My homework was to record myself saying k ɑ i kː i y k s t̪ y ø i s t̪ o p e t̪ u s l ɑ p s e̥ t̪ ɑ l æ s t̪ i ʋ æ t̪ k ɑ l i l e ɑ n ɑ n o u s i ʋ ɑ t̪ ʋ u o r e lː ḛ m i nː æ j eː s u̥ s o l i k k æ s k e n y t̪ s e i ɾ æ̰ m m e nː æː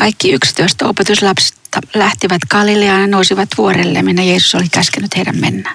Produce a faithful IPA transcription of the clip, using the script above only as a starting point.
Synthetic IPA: k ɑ i kː i y k s t̪ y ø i s t̪ o p e t̪ u s l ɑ p s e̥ t̪ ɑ l æ h t̪ i ʋ æ t̪ k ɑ l i l e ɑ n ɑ n o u s i ʋ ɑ t̪ ʋ u o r e lː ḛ m i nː æ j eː s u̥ s o l i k k æ s k e n y t̪ h e i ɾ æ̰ m m e nː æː